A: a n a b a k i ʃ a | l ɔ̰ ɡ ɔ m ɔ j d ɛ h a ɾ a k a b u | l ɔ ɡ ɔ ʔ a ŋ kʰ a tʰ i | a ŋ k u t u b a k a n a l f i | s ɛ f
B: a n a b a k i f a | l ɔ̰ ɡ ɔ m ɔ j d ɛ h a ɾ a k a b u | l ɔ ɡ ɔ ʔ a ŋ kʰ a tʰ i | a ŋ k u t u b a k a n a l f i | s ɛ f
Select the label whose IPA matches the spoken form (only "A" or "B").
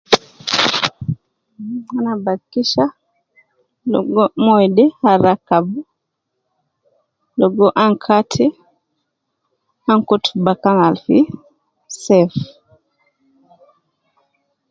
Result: A